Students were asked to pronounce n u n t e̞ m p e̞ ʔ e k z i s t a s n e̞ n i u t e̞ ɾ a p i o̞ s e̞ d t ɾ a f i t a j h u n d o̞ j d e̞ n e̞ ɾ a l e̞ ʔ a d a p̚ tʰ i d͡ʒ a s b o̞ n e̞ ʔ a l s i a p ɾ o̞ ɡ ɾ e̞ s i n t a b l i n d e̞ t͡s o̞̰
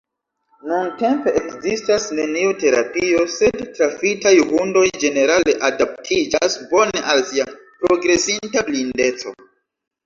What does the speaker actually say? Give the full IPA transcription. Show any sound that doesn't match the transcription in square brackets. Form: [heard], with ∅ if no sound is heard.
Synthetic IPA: n u n t e̞ m p e̞ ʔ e k z i s t a s n e̞ n i u t e̞ ɾ a p i o̞ s e̞ d t ɾ a f i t a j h u n d o̞ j [d͡ʒ] e̞ n e̞ ɾ a l e̞ ʔ a d a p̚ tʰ i d͡ʒ a s b o̞ n e̞ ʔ a l s i a p ɾ o̞ ɡ ɾ e̞ s i n t a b l i n d e̞ t͡s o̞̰